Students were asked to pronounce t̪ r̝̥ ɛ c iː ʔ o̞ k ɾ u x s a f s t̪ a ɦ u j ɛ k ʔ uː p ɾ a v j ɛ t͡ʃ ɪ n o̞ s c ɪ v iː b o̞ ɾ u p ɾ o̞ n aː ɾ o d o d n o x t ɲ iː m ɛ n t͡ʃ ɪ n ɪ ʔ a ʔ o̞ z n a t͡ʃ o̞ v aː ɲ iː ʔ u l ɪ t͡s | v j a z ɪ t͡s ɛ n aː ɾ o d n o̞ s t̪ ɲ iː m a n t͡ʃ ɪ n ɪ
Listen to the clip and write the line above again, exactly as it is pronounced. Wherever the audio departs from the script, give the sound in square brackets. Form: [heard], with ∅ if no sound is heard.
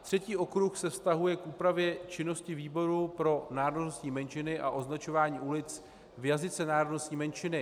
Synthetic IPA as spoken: t̪ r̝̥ ɛ c iː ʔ o̞ k ɾ u x s [ɛ] f s t̪ a ɦ u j ɛ k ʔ uː p ɾ a v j ɛ t͡ʃ ɪ n o̞ s c ɪ v iː b o̞ ɾ u p ɾ o̞ n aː ɾ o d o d n o [s] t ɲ iː m ɛ n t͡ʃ ɪ n ɪ ʔ a ʔ o̞ z n a t͡ʃ o̞ v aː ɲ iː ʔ u l ɪ t͡s | v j a z ɪ t͡s ɛ n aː ɾ o d n o̞ s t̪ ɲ iː m [ɛ] n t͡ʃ ɪ n ɪ

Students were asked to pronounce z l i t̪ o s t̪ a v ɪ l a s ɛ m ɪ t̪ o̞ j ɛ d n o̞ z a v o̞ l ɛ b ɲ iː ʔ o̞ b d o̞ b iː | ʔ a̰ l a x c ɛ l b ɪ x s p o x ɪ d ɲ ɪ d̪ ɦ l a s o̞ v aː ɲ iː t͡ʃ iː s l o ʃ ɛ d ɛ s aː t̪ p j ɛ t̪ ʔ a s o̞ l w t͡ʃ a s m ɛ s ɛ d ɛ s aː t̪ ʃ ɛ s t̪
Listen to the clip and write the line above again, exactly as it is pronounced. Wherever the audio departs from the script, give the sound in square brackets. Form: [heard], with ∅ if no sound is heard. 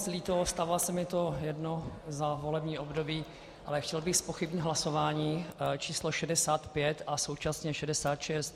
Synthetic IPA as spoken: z l i t̪ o s t̪ a v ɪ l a s ɛ m ɪ t̪ o̞ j ɛ d n o̞ z a v o̞ l ɛ b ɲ iː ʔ o̞ b d o̞ b iː | ʔ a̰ l [ɛ] x c ɛ l b ɪ x s p o x ɪ [b] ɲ ɪ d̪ ɦ l a s o̞ v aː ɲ iː t͡ʃ iː s l o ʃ ɛ d ɛ s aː t̪ p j ɛ t̪ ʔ a s o̞ [∅] w t͡ʃ a s [ɲ] ɛ [ʃ] ɛ d ɛ s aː t̪ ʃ ɛ s t̪

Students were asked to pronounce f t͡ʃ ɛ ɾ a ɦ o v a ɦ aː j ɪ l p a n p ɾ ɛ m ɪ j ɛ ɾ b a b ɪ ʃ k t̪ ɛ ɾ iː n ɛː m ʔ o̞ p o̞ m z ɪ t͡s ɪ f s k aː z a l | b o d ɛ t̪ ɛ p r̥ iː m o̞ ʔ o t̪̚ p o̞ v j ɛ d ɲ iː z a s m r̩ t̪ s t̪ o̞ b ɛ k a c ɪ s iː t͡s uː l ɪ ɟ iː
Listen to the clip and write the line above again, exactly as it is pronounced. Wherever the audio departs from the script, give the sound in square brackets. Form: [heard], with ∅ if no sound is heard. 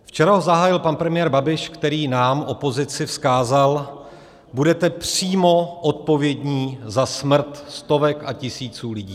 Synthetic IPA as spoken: f t͡ʃ ɛ ɾ a ɦ o [z] a ɦ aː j ɪ l p a n p ɾ ɛ m ɪ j ɛ ɾ b a b ɪ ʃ k t̪ ɛ ɾ iː n [aː] m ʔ o̞ p o̞ [∅] z ɪ t͡s ɪ f s k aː z a l | b [u] d ɛ t̪ ɛ p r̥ iː m o̞ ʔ o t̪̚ p o̞ v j ɛ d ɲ iː z a s m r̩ t̪ s t̪ o̞ [v] ɛ k a c ɪ s iː t͡s uː l ɪ ɟ iː

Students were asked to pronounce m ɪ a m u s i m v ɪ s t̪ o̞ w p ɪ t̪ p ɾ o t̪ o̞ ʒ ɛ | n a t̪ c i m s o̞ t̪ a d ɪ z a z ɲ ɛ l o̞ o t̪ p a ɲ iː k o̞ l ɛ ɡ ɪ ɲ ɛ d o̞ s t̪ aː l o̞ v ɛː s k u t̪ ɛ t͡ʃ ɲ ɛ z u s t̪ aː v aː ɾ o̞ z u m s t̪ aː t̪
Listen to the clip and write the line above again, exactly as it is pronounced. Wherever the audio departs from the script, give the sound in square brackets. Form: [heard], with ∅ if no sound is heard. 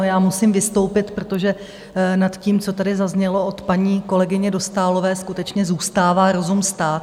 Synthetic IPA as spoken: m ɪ a m u s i m v ɪ s t̪ o̞ w p ɪ t̪ p ɾ o t̪ o̞ ʒ ɛ | n a t̪ c [iː] m [t͡s] o̞ t̪ a d ɪ z a z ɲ ɛ l o̞ o t̪ p a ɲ iː k o̞ l ɛ ɡ ɪ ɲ ɛ d o̞ s t̪ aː l o̞ v ɛː s k u t̪ ɛ t͡ʃ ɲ ɛ z [uː] s t̪ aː v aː ɾ o̞ z u m s t̪ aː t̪

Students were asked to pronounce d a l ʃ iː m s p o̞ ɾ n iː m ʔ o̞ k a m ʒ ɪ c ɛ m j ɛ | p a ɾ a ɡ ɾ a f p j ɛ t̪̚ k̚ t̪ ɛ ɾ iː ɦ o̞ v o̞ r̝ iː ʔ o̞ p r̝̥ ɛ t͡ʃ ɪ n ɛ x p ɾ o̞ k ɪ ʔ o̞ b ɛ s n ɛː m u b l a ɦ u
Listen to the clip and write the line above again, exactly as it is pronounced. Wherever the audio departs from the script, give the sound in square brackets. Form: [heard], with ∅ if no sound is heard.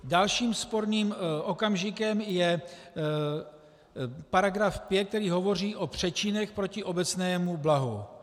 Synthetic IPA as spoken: d a l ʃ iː m s p o̞ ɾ n iː m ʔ o̞ k a m ʒ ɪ [k] ɛ m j ɛ | p a ɾ a ɡ ɾ a f p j ɛ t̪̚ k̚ t̪ ɛ ɾ iː ɦ o̞ v o̞ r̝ iː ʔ o̞ p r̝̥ ɛ t͡ʃ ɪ n ɛ x p ɾ o̞ [c] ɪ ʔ o̞ b ɛ [t͡s] n ɛː m u b l a ɦ u

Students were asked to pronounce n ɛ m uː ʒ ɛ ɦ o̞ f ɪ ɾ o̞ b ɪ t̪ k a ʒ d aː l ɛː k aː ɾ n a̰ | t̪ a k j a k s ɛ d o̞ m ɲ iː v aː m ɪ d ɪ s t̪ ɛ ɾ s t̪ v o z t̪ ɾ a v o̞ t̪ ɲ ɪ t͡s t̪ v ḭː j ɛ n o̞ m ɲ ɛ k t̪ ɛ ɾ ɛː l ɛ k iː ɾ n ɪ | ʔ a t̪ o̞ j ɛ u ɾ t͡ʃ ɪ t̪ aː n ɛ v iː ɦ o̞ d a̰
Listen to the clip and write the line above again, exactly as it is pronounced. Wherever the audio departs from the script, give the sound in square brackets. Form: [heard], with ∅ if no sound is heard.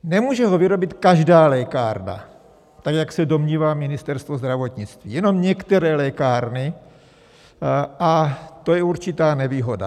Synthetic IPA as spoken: n ɛ m uː ʒ ɛ ɦ o̞ [v] ɪ ɾ o̞ b ɪ t̪ k a ʒ d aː l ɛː k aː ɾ n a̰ | t̪ a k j a k s ɛ d o̞ m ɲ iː v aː m ɪ [n] ɪ s t̪ ɛ ɾ s t̪ v o z [d̪] ɾ a v o̞ t̪ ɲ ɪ t͡s t̪ v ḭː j ɛ n o̞ m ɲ ɛ k t̪ ɛ ɾ ɛː l ɛ k [aː] ɾ n ɪ | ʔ a t̪ o̞ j ɛ u ɾ t͡ʃ ɪ t̪ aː n ɛ v iː ɦ o̞ d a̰

